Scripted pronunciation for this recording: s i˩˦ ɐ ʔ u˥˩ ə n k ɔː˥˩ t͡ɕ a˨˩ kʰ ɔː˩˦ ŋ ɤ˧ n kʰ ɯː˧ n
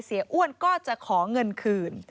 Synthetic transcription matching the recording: s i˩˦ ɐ ʔ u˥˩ ə n k ɔː˥˩ t͡ɕ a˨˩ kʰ ɔː˩˦ ŋ ɤ˧ n kʰ ɯː˧ n